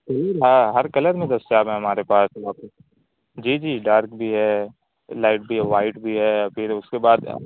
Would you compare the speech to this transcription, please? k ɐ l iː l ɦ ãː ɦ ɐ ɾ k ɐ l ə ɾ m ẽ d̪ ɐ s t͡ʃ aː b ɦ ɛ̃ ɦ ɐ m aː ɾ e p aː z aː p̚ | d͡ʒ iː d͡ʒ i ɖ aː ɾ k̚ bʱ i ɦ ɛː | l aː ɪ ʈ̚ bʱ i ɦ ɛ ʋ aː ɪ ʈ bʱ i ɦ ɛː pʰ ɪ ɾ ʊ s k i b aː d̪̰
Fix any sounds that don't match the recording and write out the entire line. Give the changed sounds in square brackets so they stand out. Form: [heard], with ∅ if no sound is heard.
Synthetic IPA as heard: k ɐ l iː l ɦ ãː ɦ ɐ ɾ k ɐ l ə ɾ m ẽ d̪ ɐ s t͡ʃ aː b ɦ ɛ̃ ɦ ɐ m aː ɾ e p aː [s] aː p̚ | d͡ʒ iː d͡ʒ [iː] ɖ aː ɾ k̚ bʱ i ɦ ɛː | l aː ɪ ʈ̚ bʱ i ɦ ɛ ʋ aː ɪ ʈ bʱ i ɦ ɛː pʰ ɪ ɾ ʊ s k [e] b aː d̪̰